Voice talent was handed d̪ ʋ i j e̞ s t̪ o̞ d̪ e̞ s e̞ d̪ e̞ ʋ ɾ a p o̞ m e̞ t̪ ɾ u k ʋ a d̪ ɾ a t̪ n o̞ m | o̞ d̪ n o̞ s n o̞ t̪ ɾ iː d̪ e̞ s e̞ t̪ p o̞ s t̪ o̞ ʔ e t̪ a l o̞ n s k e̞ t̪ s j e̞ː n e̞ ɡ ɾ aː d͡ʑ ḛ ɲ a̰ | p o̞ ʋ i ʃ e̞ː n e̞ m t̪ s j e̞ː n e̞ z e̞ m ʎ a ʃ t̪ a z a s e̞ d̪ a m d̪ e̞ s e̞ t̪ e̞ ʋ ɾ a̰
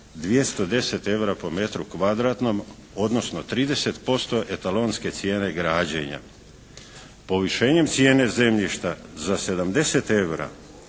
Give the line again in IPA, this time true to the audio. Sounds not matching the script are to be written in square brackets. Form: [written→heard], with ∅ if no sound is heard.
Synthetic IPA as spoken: d̪ ʋ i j e̞ s t̪ o̞ d̪ e̞ s e̞ [d̪→t̪] e̞ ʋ ɾ a p o̞ m e̞ t̪ ɾ u k ʋ a d̪ ɾ a t̪ n o̞ m | o̞ d̪ n o̞ s n o̞ t̪ ɾ iː d̪ e̞ s e̞ t̪ p o̞ s t̪ o̞ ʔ e t̪ a l o̞ n s k e̞ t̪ s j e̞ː n e̞ ɡ ɾ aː d͡ʑ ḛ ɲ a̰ | p o̞ ʋ i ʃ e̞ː [n→ɲ] e̞ m t̪ s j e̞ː n e̞ z e̞ m ʎ [a→i] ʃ t̪ a z a s e̞ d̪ a m d̪ e̞ s e̞ t̪ e̞ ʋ ɾ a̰